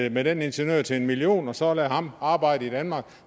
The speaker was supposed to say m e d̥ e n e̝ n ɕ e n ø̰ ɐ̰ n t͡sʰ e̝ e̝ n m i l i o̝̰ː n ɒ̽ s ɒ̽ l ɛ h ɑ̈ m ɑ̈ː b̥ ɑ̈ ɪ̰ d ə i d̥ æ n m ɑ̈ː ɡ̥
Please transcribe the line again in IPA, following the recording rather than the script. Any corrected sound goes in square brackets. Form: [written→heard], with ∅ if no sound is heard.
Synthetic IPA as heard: m e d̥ e n e̝ n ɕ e n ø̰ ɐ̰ [n→∅] t͡sʰ e̝ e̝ n m i l i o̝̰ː n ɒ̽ s ɒ̽ l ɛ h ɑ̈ m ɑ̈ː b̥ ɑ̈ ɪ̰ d ə i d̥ æ n m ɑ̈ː ɡ̥